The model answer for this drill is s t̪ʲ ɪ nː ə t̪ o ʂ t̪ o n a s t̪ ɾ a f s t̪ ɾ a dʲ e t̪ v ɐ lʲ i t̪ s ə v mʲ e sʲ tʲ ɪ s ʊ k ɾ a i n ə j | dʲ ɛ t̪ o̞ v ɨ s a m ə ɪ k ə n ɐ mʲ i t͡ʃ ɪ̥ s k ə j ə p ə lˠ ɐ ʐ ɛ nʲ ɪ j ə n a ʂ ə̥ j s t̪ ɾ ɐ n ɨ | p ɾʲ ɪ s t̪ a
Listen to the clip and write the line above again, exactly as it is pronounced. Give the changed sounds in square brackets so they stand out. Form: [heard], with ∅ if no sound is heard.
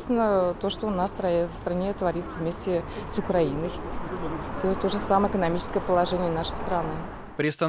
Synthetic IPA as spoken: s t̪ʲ ɪ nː ə t̪ o ʂ t̪ o n a s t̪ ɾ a f s t̪ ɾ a [nʲ] e t̪ v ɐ [ɾʲ] i t̪ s ə v mʲ e sʲ tʲ ɪ s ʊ k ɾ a i n ə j | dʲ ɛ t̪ o̞ [ʐ] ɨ s a m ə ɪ k ə n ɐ mʲ i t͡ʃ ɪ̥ s k ə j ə p ə lˠ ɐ ʐ ɛ nʲ ɪ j ə n a ʂ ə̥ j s t̪ ɾ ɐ n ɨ | p ɾʲ ɪ s t̪ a